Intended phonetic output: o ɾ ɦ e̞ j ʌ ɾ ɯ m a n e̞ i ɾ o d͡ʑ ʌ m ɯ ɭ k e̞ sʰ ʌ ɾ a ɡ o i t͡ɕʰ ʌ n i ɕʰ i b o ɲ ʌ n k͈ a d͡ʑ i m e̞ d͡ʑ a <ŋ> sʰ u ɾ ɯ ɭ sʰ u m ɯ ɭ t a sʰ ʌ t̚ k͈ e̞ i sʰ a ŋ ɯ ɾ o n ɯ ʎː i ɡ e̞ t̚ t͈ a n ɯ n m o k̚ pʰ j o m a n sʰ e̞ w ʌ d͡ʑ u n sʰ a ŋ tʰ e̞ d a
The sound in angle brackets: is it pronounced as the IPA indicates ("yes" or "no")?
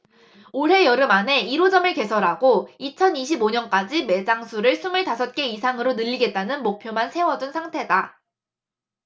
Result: yes